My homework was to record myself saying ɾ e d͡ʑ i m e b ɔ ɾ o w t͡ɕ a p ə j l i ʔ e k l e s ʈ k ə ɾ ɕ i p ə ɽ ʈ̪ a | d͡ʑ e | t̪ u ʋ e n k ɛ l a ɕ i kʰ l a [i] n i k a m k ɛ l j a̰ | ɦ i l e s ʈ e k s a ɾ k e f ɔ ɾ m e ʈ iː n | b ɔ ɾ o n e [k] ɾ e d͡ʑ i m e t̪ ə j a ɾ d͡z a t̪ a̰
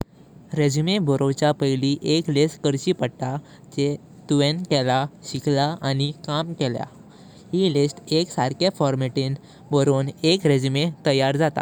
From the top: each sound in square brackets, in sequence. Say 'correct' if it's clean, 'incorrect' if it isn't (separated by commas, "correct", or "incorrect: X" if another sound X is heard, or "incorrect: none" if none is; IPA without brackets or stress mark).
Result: incorrect: a, correct